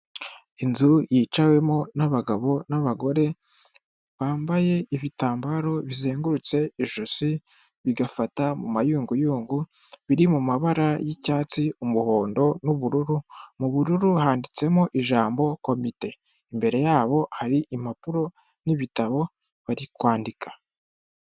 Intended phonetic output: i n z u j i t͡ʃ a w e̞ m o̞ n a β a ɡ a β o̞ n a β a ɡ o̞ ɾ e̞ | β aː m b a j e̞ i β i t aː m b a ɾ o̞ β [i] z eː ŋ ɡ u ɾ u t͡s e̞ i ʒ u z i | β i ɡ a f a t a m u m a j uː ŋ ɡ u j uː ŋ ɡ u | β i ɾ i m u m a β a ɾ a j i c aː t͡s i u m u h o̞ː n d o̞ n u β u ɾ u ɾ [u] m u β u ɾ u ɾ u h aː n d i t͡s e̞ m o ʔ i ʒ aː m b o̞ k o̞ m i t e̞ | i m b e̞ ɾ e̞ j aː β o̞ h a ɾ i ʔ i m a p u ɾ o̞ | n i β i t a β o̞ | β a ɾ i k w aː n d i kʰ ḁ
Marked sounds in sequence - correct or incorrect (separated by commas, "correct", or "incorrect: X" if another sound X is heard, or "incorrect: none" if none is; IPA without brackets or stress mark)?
correct, correct